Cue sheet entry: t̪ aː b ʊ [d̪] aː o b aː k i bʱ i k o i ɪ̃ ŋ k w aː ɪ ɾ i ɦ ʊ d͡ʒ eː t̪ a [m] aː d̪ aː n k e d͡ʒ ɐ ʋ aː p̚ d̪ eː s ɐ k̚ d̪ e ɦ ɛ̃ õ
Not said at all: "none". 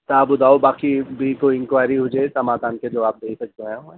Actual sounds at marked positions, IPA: d̪, m

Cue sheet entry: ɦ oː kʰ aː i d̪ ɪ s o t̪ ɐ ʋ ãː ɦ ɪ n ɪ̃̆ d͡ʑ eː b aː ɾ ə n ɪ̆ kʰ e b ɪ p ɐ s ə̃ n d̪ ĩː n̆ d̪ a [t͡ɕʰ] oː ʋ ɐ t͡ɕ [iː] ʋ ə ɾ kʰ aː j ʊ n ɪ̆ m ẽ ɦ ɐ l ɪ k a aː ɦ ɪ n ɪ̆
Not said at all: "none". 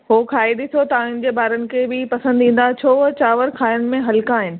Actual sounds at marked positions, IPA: t͡ɕʰ, aː

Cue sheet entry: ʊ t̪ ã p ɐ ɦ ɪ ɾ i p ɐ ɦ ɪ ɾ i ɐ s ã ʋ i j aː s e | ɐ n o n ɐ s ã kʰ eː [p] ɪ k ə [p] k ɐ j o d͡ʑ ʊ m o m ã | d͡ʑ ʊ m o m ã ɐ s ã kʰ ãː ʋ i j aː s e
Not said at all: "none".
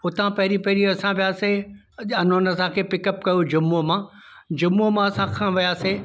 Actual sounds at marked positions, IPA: p, p

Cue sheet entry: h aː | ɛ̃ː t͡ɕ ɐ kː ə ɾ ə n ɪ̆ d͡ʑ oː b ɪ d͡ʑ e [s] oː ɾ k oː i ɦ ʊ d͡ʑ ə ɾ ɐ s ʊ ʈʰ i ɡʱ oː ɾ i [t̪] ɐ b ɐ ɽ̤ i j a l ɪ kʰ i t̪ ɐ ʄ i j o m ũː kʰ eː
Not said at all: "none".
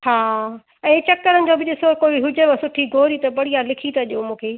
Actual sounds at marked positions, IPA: s, t̪

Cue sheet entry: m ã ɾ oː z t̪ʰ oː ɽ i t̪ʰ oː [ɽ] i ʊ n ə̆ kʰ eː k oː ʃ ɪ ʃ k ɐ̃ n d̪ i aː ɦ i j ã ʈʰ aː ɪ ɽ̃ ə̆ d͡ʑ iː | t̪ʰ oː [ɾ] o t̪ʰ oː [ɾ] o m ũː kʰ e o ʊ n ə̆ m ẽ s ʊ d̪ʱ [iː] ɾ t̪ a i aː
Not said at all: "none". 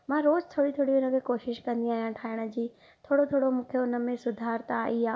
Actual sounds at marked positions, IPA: ɽ, ɽ, ɽ, aː

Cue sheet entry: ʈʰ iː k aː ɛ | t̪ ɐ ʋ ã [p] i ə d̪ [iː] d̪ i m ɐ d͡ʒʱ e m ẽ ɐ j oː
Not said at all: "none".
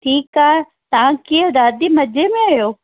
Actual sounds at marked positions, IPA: k, aː

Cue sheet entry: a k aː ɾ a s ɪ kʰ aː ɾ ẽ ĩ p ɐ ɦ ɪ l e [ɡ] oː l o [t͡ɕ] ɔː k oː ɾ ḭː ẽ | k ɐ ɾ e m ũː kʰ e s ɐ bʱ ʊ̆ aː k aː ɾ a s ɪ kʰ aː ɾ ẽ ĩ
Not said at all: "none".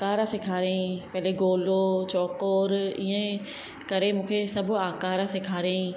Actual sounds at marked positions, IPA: ɡ, t͡ɕ

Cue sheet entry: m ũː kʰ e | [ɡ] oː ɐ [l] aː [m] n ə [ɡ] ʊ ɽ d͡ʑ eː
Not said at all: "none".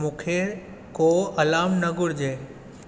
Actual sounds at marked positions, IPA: k, l, m, ɡ

